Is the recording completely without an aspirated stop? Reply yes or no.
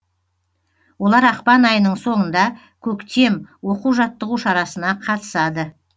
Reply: no